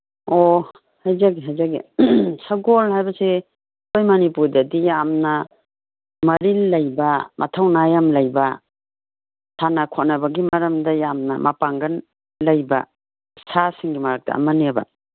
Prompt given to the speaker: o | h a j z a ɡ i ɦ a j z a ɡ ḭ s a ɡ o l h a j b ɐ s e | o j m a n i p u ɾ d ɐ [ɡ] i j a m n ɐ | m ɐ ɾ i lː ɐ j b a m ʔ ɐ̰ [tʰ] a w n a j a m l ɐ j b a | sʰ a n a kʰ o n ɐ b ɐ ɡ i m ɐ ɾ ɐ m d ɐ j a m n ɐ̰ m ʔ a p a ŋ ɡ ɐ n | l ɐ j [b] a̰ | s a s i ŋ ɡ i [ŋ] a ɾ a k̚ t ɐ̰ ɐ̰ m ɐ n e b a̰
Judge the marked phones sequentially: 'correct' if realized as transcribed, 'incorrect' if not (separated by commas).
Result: incorrect, correct, correct, incorrect